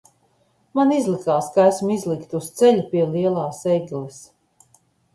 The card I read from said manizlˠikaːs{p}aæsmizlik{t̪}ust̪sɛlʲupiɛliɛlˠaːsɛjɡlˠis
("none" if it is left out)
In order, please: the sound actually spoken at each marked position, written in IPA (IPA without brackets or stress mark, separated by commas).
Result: k, t̪